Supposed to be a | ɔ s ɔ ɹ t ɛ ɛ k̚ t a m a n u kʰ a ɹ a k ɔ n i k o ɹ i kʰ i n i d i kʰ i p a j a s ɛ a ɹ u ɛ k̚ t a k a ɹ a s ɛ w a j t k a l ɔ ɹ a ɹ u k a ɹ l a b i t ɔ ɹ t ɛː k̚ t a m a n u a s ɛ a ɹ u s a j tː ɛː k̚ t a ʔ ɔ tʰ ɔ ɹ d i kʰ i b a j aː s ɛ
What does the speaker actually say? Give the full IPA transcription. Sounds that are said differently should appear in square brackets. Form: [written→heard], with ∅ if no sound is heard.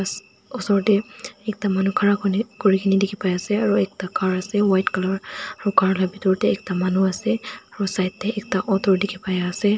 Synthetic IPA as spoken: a | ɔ s ɔ ɹ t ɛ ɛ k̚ t a m a n u kʰ a ɹ a k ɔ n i k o ɹ i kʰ i n i d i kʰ i p a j a s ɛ a ɹ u ɛ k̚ t a k a ɹ a s ɛ w a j t k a l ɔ ɹ a ɹ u k a ɹ l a b i t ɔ ɹ t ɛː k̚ t a m a n u a s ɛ a ɹ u s a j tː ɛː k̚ t a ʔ ɔ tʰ ɔ ɹ d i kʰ i [b→p] a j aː s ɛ